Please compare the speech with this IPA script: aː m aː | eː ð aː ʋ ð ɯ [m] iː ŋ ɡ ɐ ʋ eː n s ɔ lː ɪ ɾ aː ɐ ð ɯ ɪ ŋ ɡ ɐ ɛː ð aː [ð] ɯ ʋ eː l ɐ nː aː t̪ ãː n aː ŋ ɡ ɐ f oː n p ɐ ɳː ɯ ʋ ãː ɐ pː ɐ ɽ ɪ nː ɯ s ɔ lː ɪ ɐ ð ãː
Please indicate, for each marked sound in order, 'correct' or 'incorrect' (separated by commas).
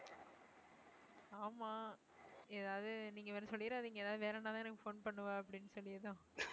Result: incorrect, correct